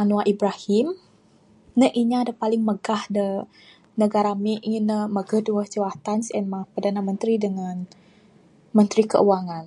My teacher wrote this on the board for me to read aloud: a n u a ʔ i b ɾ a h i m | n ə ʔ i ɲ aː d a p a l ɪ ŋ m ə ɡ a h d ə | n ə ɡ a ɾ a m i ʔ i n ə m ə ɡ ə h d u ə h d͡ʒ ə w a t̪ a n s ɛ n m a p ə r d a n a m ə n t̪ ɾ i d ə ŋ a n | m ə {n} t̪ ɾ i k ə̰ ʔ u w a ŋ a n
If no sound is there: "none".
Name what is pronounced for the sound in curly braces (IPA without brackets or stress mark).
n